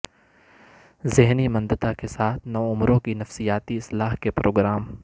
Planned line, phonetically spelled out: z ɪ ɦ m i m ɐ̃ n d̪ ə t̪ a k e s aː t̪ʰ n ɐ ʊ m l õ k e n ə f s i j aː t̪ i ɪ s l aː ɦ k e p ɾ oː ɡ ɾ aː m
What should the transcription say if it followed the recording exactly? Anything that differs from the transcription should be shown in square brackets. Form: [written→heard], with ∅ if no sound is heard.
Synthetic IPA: z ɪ ɦ [m→n] i m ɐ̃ n d̪ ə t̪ a k e s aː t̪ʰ n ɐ ʊ m [l→ɾ] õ k [e→i] n [ə→ɐ] f s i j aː t̪ i ɪ s l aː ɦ k e p ɾ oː ɡ ɾ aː m